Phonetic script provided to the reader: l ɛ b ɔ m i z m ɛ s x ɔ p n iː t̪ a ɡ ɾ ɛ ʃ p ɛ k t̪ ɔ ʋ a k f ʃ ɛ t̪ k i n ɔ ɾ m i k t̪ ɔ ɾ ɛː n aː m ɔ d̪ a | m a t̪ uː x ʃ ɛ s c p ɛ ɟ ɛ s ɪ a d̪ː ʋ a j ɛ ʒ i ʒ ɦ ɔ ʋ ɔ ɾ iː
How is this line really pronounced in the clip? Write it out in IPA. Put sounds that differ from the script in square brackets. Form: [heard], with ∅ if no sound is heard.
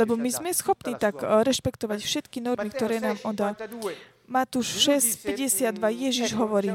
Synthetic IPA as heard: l ɛ b ɔ m i z m ɛ s x ɔ p n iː t̪ a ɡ ɾ ɛ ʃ p ɛ k t̪ ɔ ʋ a [c] f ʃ ɛ t̪ k i n ɔ ɾ m i k t̪ ɔ ɾ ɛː n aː m ɔ d̪ a | m a t̪ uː [ʃ] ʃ ɛ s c p ɛ ɟ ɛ s ɪ a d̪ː ʋ a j ɛ ʒ i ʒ ɦ ɔ ʋ ɔ ɾ iː